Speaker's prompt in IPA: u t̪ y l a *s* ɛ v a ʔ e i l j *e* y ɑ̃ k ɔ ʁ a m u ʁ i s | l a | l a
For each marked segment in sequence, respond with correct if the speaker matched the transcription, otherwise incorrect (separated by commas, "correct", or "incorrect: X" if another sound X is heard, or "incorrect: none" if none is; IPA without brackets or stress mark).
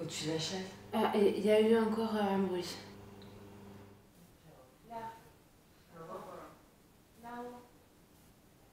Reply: incorrect: ʃ, incorrect: a